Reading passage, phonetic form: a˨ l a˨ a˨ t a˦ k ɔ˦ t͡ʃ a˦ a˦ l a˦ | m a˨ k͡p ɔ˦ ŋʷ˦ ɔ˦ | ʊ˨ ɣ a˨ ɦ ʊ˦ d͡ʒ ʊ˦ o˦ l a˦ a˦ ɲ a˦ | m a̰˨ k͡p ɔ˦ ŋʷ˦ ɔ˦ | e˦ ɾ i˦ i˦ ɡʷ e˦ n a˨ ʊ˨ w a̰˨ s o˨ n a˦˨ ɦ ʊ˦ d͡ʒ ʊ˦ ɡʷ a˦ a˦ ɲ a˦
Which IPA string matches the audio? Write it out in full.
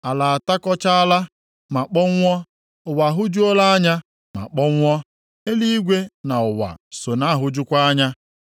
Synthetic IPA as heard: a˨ l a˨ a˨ t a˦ k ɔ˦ t͡ʃ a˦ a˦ l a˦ | m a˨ k͡p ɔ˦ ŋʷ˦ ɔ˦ | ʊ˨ w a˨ ɦ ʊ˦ d͡ʒ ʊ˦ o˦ l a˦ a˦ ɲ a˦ | m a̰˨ k͡p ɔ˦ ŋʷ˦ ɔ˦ | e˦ l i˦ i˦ ɡʷ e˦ n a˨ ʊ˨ w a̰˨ s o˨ n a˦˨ ɦ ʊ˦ d͡ʒ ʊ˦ kʷ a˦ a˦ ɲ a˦